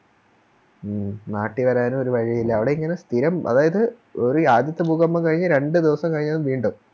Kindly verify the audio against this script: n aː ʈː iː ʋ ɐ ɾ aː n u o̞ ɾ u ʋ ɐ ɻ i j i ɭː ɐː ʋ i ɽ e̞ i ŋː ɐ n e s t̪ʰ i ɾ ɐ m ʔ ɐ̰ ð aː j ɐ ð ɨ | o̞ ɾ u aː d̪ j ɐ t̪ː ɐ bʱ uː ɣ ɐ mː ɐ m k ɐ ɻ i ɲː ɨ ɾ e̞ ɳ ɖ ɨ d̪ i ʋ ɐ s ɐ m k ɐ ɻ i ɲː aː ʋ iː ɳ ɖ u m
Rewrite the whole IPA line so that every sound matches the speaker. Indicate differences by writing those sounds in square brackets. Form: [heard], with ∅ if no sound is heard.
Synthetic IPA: n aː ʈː [i] ʋ ɐ ɾ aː n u o̞ ɾ u ʋ ɐ ɻ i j i [lː] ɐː ʋ i ɽ e̞ i ŋː ɐ n e s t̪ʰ i ɾ ɐ m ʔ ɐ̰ ð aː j ɐ ð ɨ | o̞ ɾ u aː d̪ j ɐ t̪ː ɐ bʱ uː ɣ ɐ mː ɐ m k ɐ ɻ i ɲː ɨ ɾ e̞ ɳ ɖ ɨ d̪ i ʋ ɐ s ɐ m k ɐ ɻ i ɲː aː ʋ iː ɳ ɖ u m